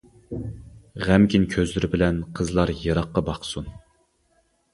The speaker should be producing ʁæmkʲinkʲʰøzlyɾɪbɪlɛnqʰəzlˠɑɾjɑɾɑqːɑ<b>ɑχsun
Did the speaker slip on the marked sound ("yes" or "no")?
no